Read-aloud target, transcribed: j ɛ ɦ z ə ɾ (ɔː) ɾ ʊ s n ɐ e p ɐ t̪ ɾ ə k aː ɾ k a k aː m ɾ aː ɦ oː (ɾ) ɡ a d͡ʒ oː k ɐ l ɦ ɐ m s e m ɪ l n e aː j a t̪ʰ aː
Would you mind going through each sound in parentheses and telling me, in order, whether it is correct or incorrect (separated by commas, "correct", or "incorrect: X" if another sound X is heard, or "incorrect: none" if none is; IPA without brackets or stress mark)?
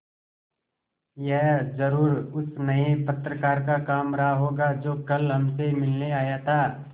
incorrect: uː, incorrect: none